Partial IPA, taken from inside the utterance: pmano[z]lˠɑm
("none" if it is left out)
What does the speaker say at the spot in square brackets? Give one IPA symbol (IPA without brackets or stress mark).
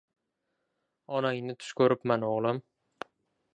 ʁ